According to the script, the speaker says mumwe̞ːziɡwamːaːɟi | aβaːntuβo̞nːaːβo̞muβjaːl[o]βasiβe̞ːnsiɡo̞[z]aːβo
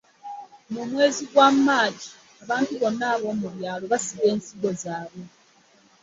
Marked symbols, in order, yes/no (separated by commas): yes, yes